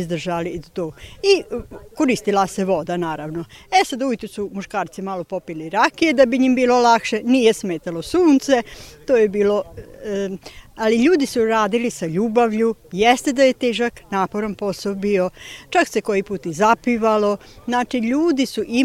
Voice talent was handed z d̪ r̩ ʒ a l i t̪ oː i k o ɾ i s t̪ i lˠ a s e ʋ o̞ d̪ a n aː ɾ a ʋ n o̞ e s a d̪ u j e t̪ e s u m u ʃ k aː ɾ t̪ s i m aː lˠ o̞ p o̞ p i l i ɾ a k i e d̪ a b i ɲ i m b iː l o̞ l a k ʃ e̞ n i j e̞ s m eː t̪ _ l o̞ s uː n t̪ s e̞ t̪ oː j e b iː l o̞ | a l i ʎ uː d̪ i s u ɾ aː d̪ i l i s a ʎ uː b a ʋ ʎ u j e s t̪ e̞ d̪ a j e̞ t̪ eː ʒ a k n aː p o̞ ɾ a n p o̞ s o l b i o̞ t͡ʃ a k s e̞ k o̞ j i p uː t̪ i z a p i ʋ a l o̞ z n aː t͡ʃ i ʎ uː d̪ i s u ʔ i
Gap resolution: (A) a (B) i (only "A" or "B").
A